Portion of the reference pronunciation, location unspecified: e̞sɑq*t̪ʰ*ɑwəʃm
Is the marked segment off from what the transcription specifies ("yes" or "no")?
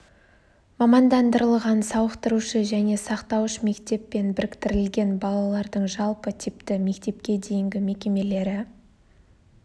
yes